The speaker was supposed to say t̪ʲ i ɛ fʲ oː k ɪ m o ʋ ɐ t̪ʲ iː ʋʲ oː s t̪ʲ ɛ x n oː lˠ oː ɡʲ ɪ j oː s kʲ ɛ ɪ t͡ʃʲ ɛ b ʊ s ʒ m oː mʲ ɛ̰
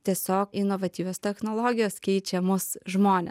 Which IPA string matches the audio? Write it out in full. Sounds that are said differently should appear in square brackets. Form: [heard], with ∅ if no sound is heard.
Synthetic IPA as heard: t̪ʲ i ɛ [sʲ] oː k ɪ [n] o ʋ ɐ t̪ʲ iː ʋʲ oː s t̪ʲ ɛ x n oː lˠ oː ɡʲ ɪ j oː s kʲ ɛ ɪ t͡ʃʲ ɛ [m] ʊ s ʒ m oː [nʲ] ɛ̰